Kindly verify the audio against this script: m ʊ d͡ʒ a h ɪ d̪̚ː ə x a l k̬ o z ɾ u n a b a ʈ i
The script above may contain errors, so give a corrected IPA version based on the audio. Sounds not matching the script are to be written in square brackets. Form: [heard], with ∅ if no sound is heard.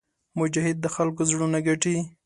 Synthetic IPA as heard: m ʊ d͡ʒ a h ɪ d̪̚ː ə x a l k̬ o z [ɽ] u n a [ɡ] a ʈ i